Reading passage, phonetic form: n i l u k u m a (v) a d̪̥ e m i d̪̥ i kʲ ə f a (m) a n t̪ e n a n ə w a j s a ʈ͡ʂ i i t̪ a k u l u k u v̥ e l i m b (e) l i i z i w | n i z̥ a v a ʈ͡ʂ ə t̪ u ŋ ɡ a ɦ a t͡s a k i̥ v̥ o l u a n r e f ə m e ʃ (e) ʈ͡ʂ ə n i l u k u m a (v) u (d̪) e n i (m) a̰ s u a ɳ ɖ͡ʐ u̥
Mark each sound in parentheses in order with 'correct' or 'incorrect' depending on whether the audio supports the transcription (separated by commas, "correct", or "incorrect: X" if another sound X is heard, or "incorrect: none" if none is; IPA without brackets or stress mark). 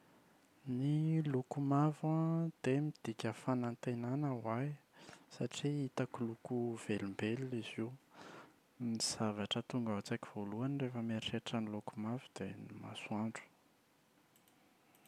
correct, incorrect: n, correct, correct, correct, correct, correct